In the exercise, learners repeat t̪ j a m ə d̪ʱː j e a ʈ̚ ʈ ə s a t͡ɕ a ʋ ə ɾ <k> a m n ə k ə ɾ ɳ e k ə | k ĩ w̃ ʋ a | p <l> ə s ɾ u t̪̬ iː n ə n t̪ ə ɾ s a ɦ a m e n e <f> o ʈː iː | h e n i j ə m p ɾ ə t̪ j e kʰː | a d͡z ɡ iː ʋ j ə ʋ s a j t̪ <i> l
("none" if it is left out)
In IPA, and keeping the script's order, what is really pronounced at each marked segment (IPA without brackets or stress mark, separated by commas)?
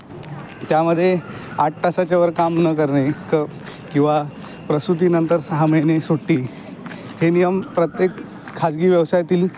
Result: k, ɾ, s, iː